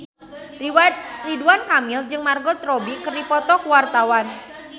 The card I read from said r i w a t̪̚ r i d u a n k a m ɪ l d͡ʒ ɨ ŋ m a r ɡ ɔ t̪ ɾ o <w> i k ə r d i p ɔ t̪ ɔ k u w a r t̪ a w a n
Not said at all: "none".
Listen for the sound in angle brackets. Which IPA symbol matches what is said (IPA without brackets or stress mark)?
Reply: b